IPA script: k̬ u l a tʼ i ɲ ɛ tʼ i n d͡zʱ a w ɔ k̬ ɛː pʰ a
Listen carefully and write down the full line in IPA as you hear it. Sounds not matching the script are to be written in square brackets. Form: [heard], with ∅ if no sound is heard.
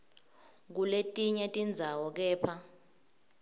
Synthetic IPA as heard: k̬ u l [e] tʼ i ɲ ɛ tʼ i n d͡zʱ a w ɔ k̬ ɛː pʰ a